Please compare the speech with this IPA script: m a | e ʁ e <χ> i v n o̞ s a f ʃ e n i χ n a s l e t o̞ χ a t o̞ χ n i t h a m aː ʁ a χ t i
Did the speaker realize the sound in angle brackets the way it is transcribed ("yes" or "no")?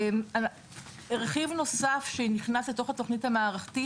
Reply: yes